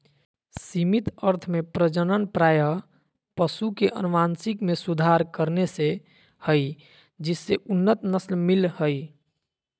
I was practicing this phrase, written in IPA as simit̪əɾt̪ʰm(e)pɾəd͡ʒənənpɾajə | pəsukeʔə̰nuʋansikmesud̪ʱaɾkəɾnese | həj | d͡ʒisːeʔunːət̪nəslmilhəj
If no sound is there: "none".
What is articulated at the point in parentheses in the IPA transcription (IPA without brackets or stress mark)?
e